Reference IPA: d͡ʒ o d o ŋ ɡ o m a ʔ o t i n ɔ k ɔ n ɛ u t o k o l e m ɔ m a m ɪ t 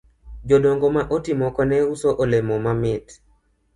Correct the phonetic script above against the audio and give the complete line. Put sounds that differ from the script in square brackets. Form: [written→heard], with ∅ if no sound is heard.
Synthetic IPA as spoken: d͡ʒ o d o ŋ ɡ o m a ʔ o t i [n→m] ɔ k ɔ n ɛ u [t→s] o [k→ʔ] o l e m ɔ m a m ɪ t